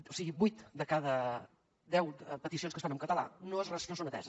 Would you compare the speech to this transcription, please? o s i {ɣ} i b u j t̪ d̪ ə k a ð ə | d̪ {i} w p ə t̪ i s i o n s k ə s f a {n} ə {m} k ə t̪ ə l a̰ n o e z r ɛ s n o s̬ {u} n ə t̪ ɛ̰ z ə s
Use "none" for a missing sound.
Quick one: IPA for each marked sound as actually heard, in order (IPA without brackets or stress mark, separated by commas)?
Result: ɣ, ɛ, n, m, o